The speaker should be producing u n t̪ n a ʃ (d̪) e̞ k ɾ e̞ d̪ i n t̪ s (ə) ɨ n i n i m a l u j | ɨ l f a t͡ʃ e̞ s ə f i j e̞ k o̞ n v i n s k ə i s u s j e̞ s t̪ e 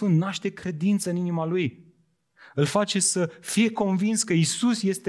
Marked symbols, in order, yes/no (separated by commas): no, yes